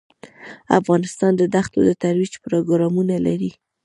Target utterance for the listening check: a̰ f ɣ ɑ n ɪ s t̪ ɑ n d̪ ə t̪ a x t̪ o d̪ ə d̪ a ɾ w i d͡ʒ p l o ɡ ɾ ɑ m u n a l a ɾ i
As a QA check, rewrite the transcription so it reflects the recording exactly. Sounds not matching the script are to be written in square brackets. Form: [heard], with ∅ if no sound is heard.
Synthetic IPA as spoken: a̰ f ɣ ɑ n ɪ s t̪ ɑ n d̪ ə [d̪] a x t̪ o d̪ ə [t̪] a ɾ w i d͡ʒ p [ɾ] o ɡ ɾ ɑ m u n a l a ɾ i